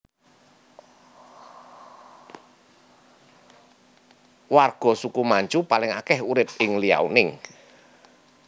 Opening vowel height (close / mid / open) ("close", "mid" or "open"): open